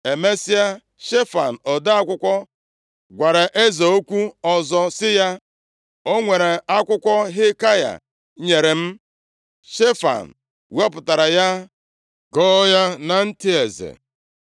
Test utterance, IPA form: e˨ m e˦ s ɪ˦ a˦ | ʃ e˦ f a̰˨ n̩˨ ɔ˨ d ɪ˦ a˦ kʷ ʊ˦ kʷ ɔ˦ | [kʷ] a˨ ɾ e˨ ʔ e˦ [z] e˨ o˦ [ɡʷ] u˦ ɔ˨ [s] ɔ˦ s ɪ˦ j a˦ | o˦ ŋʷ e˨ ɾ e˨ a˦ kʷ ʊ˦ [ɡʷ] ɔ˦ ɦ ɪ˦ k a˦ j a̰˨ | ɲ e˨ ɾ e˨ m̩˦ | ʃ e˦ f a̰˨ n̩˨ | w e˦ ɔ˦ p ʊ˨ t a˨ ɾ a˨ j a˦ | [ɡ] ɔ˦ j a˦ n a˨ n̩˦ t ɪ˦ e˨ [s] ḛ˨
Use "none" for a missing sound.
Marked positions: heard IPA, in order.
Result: ɡʷ, z, kʷ, z, kʷ, ɡ, z

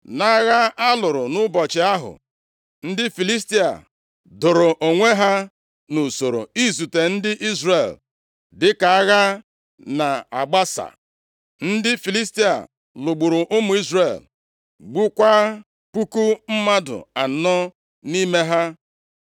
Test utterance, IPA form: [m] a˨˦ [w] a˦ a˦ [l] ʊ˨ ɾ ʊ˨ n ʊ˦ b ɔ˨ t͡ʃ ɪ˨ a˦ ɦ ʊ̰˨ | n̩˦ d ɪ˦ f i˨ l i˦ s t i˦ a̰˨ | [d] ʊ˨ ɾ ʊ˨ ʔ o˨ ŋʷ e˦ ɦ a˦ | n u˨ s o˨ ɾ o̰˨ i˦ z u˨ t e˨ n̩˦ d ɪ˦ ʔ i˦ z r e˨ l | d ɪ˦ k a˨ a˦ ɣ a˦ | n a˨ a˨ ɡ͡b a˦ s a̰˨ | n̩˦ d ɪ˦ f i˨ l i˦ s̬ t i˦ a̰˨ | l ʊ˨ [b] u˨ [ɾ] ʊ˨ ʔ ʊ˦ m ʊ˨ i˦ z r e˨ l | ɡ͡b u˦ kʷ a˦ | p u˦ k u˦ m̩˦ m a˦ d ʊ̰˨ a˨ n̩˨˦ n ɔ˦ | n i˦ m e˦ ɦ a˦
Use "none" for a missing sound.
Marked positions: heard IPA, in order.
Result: n, ɣ, l, d, ɡ͡b, ɾ

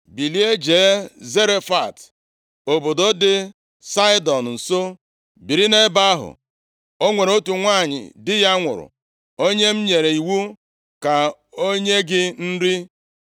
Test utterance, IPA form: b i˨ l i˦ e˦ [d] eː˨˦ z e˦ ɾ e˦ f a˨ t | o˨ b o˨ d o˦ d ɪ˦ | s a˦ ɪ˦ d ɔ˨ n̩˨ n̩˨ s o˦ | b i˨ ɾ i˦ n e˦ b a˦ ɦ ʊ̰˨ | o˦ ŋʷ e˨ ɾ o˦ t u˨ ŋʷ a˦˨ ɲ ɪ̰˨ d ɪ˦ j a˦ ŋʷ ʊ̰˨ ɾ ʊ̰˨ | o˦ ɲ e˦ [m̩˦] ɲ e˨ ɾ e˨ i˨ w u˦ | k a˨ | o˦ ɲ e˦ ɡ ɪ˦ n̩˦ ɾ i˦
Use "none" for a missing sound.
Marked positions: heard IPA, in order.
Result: d͡ʒ, m̩˦

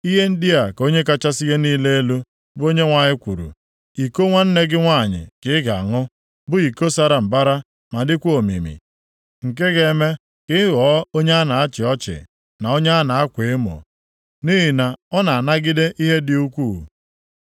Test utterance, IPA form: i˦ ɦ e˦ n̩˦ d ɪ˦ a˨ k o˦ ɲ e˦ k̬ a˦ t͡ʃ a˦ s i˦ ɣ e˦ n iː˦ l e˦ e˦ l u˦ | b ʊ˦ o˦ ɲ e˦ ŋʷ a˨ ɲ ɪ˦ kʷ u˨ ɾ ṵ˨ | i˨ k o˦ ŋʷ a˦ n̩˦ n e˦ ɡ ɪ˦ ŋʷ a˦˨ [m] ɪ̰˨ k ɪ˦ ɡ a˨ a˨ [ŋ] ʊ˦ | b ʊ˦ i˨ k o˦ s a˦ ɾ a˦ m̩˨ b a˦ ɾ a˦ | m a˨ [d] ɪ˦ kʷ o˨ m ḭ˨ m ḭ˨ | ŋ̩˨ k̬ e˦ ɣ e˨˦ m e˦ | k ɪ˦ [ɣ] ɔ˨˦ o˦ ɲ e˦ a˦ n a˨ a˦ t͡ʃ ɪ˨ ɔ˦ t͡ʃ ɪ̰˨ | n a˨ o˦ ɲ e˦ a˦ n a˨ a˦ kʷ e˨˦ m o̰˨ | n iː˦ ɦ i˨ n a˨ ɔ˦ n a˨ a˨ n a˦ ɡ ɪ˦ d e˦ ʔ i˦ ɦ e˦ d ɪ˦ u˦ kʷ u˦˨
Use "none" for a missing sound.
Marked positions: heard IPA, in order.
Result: ɲ, ŋ, d, ɣ

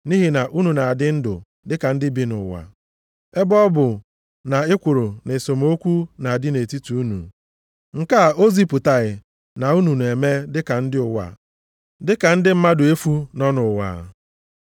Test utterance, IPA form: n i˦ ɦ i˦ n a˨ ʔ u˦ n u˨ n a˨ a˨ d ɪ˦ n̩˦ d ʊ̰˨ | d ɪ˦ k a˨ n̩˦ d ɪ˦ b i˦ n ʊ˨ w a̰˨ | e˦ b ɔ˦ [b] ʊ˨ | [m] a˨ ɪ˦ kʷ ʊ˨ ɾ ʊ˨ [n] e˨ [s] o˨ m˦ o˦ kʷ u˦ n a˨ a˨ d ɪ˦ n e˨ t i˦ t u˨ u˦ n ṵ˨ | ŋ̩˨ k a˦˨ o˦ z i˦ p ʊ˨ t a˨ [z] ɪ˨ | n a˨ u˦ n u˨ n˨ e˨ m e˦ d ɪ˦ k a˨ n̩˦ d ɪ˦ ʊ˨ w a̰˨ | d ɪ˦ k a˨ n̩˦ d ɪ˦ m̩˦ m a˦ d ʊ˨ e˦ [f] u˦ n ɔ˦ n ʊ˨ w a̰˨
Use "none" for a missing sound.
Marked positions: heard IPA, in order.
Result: b, n, n, s, ɣ, f

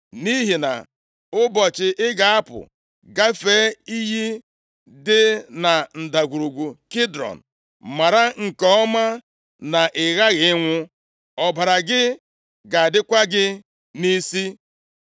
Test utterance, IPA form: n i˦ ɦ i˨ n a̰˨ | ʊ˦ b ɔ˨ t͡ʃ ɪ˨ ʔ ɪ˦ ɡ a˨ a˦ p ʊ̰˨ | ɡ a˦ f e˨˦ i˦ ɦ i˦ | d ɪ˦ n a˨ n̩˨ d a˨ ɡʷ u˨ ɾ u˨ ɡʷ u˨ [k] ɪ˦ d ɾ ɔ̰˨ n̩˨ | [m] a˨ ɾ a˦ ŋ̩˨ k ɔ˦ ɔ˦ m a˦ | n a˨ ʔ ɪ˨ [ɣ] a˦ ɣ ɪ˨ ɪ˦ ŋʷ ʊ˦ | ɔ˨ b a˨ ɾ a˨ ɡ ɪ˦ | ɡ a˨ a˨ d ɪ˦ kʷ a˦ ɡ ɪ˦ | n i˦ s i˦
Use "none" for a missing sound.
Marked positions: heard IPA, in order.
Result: k, m, ɣ

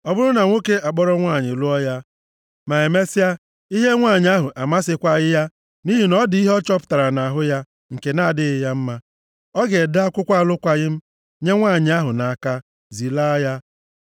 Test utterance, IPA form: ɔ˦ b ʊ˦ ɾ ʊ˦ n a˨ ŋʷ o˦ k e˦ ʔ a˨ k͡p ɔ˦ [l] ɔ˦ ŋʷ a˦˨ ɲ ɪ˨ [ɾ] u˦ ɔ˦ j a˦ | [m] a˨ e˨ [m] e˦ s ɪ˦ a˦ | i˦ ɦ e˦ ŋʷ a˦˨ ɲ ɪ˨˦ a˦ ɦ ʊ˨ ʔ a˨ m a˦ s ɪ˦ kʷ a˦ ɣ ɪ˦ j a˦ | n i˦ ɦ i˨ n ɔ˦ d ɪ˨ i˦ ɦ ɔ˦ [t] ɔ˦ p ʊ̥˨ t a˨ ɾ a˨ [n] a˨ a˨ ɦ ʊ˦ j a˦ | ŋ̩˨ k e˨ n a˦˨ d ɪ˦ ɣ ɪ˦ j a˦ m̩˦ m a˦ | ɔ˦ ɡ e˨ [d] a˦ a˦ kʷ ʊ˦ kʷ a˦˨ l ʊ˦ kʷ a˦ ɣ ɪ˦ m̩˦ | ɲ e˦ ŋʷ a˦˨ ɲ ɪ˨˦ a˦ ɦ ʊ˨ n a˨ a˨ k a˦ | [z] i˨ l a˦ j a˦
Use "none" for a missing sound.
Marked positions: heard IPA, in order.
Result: ɾ, l, m, m, t͡ʃ, n, d, z

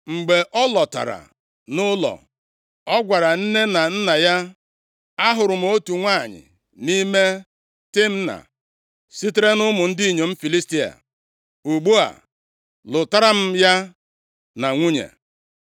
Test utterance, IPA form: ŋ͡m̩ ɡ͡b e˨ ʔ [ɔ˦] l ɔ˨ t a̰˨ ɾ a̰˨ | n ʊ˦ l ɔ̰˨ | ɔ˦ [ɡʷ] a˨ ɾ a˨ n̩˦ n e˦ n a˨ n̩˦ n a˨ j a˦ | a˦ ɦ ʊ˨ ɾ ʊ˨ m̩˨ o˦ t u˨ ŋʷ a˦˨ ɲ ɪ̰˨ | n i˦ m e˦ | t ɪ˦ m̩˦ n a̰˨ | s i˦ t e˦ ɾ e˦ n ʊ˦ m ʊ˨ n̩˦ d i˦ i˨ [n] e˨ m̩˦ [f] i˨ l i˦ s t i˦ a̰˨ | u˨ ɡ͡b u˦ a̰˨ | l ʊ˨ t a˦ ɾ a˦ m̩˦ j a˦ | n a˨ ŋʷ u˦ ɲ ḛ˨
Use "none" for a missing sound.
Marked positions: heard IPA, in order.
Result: ɔ˦, ɡʷ, ɲ, f

